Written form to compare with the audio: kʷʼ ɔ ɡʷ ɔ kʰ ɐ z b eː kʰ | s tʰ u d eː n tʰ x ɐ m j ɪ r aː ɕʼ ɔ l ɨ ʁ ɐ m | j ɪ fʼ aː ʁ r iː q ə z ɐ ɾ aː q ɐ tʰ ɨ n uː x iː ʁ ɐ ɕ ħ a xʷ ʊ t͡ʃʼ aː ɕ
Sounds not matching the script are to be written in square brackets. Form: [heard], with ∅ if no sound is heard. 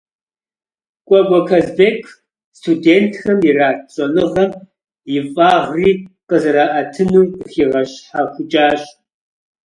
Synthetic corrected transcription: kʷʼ ɔ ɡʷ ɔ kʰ ɐ z b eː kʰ | s tʰ u d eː n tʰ x ɐ m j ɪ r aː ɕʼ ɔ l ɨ ʁ ɐ m | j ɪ fʼ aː ʁ r iː q ə z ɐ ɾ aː [ʔ] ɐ tʰ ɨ n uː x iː ʁ ɐ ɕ ħ a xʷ ʊ t͡ʃʼ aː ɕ